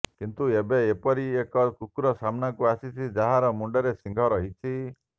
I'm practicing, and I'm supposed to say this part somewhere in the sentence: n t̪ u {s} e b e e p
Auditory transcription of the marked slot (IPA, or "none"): none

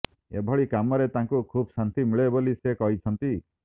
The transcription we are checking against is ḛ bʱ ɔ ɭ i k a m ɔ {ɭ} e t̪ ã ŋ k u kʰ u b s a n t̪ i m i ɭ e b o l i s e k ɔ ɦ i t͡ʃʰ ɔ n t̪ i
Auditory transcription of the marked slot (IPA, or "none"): ɾ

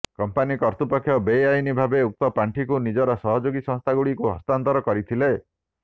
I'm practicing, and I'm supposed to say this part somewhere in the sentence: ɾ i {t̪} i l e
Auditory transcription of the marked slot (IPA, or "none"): t̪ʰ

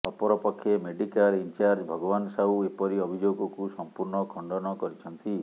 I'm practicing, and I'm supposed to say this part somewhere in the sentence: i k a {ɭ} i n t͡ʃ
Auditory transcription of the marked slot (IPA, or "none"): l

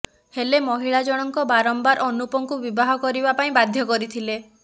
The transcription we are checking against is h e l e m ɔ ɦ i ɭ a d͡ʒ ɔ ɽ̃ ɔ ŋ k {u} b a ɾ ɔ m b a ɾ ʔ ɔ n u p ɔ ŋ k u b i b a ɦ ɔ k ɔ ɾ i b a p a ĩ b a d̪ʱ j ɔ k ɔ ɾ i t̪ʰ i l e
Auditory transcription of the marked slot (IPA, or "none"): ɔ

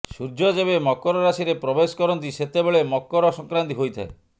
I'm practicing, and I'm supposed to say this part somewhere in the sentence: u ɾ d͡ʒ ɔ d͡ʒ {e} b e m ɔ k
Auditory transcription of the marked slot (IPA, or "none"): e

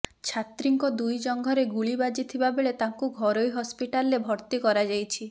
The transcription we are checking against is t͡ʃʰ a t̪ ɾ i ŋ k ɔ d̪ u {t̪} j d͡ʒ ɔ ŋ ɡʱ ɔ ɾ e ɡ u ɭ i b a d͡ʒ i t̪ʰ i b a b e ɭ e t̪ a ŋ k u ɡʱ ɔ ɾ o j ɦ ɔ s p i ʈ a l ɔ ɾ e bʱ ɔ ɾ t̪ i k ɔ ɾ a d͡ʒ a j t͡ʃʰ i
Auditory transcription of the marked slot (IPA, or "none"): none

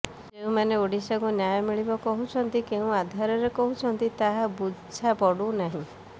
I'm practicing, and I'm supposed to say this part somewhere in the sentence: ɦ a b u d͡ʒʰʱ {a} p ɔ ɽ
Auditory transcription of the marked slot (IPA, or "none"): a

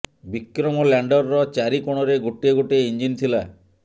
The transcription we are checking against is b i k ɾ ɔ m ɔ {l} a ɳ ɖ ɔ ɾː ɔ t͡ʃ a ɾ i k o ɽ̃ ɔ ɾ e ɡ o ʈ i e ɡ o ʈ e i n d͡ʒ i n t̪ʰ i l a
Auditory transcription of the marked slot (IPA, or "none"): l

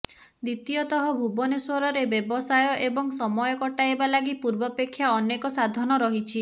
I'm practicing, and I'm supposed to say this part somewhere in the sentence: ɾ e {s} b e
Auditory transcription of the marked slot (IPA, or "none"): none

